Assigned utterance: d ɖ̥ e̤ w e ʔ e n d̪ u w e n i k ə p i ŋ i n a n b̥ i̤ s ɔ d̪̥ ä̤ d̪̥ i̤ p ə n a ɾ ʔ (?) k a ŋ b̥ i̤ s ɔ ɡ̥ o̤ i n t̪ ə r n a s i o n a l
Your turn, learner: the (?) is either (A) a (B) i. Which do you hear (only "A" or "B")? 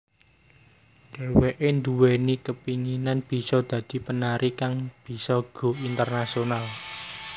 B